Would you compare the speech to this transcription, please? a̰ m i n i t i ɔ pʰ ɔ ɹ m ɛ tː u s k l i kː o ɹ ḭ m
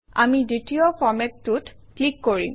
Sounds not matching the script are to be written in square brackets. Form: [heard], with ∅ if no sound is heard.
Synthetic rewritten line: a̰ m i [d] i t i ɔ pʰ ɔ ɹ m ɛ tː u [t] k l i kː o ɹ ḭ m

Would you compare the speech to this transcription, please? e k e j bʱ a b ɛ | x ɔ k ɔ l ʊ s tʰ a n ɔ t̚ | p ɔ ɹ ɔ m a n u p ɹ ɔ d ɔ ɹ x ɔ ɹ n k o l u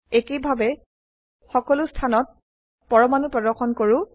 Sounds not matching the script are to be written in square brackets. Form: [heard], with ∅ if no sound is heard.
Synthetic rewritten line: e k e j bʱ a b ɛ | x ɔ k ɔ l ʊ s tʰ a n ɔ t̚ | p ɔ ɹ ɔ m a n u p ɹ ɔ d ɔ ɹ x ɔ [∅] n k o [ɹ] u

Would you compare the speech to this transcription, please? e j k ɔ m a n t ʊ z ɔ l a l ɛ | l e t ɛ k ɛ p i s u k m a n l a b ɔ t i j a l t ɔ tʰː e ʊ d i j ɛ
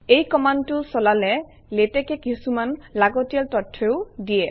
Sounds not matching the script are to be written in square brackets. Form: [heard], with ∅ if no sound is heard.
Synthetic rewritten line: e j k ɔ m a n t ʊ [s] ɔ l a l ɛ | l e t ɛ k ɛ [k] i s u [∅] m a n l a [ɡ] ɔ t i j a l t ɔ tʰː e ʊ d i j ɛ

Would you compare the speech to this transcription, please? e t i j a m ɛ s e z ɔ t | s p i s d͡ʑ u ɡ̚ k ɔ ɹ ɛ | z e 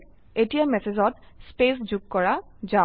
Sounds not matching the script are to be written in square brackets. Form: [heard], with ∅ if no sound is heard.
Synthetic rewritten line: e t i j a m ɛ s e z ɔ t | s p [e] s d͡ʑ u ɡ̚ k ɔ ɹ [a] | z [a]

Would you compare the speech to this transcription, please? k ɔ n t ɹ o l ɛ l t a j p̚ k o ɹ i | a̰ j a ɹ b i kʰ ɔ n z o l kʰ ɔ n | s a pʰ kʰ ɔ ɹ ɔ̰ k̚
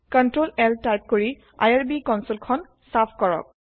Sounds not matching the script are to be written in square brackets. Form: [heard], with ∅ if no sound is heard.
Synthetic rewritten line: k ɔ n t ɹ o l ɛ l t a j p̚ k o ɹ i | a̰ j a ɹ b i [k] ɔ n [s] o l kʰ ɔ n | s a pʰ [k] ɔ ɹ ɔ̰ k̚

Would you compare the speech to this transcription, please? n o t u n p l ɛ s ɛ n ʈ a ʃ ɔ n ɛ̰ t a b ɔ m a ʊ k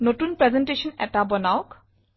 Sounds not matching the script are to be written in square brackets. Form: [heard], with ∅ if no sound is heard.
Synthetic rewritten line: n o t u n p [ɹ] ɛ [z] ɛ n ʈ [e] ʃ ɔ n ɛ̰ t a b ɔ [n] a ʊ k

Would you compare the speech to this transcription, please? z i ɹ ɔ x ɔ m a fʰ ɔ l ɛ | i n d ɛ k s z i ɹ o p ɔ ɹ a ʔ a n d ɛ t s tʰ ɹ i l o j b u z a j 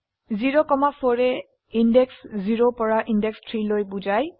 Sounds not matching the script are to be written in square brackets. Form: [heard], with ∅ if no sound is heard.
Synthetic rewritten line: z i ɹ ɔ [k] ɔ m a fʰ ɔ [ɹ] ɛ | i n d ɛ k s z i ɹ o p ɔ ɹ a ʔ [i] n d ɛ [k] s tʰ ɹ i l o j b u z a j

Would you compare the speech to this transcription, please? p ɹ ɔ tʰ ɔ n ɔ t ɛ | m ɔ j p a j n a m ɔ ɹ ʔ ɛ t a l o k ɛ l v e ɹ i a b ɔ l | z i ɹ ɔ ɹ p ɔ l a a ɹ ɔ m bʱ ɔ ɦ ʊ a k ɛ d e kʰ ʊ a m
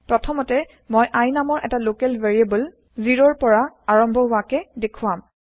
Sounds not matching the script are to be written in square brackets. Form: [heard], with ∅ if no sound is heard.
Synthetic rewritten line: p ɹ ɔ tʰ ɔ [m] ɔ t ɛ | m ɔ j [ʔ] a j n a m ɔ ɹ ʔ ɛ t a l o k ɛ l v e ɹ i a b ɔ l | z i ɹ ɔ ɹ p ɔ [ɹ] a a ɹ ɔ m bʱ ɔ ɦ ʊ a k ɛ d e kʰ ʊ a m

